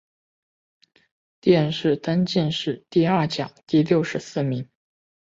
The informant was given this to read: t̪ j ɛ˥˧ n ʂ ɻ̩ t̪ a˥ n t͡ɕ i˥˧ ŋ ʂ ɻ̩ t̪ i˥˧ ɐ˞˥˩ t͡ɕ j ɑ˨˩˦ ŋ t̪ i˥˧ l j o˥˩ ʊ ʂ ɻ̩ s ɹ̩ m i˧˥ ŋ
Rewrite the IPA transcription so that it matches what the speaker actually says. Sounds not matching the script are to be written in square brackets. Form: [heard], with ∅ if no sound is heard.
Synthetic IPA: t̪ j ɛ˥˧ n ʂ ɻ̩ t̪ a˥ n t͡ɕ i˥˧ [n] ʂ ɻ̩ t̪ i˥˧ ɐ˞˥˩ t͡ɕ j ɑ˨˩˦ ŋ t̪ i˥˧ l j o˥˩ ʊ ʂ ɻ̩ s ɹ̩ m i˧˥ ŋ